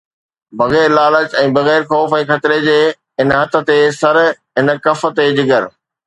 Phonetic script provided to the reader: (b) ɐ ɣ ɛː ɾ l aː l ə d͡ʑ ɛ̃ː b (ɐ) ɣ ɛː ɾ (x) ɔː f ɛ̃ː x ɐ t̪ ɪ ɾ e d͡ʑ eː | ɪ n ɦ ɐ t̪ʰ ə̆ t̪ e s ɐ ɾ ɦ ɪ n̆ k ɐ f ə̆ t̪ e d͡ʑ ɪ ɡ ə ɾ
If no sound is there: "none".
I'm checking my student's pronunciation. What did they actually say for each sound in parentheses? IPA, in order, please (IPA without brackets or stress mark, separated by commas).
b, ɐ, x